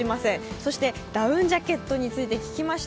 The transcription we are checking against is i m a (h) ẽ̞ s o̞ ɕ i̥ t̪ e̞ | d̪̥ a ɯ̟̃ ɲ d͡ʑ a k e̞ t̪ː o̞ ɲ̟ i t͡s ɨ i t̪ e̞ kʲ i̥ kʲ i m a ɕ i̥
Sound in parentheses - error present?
yes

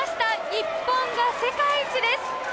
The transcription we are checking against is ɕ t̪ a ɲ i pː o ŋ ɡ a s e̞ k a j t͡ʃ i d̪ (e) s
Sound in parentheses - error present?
no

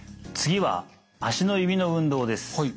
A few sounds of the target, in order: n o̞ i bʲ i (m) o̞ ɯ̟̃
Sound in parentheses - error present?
yes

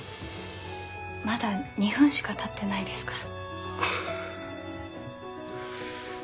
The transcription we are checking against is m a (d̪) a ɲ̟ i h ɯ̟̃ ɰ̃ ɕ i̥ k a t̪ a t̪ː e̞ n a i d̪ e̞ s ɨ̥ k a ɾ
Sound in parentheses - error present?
no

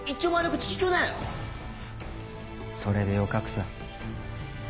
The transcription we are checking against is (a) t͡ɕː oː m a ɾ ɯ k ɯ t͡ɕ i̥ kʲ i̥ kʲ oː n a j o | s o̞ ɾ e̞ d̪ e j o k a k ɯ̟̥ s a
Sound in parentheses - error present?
yes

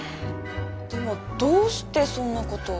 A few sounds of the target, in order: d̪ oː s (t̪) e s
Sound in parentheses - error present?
no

